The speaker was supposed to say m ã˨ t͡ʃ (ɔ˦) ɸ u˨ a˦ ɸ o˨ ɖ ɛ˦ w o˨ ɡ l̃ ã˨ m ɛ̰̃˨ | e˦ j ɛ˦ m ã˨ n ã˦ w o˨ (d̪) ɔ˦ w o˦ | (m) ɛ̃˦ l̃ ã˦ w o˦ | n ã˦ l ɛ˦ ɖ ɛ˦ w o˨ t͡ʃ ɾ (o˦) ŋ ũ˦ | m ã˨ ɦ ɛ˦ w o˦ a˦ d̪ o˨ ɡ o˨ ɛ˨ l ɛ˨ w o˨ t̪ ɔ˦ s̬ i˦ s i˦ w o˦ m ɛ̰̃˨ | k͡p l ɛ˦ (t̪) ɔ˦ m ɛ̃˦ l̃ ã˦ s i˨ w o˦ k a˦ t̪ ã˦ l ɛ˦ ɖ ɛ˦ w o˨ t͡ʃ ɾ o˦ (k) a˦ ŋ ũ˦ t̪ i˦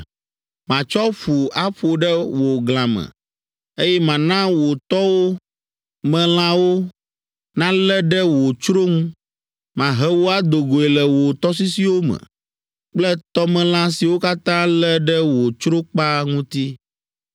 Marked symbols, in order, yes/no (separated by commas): yes, no, yes, yes, yes, no